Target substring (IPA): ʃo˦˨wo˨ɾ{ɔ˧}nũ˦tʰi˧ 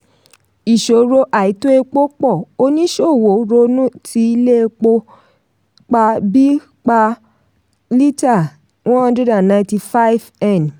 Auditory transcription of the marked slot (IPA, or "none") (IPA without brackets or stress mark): o˧